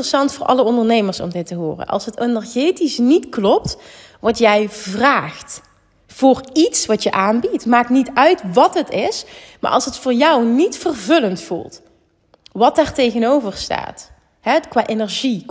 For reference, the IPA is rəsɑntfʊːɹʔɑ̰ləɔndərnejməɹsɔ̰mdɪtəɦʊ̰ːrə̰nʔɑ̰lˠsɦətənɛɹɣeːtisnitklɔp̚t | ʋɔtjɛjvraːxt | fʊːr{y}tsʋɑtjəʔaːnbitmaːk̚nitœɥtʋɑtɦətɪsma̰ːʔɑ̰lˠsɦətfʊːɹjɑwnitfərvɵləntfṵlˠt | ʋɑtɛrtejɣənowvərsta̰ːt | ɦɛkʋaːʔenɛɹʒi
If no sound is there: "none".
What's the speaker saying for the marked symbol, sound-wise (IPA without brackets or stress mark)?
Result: i